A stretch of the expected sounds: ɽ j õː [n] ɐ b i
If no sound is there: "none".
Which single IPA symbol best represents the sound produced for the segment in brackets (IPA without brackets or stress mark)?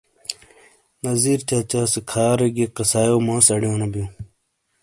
n